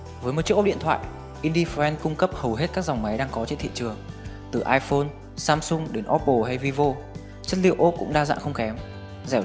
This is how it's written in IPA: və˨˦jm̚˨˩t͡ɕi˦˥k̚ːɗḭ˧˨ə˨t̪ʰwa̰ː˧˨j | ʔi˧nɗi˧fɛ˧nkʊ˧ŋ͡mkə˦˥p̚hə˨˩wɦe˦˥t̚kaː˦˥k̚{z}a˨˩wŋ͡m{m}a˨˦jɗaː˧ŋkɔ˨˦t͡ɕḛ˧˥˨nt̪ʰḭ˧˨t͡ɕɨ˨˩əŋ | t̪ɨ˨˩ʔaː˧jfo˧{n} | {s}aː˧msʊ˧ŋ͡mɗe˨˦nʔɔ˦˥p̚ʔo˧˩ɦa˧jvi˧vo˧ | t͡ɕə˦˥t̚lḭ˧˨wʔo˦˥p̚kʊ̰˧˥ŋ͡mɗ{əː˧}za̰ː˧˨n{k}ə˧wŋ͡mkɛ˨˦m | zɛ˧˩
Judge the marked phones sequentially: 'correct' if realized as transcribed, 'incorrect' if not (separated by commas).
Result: correct, correct, correct, correct, incorrect, incorrect